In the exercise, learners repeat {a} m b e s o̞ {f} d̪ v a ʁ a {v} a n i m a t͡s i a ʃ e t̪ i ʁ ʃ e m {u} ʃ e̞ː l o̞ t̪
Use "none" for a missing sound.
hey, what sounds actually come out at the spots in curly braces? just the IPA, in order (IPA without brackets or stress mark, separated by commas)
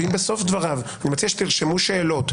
i, f, v, u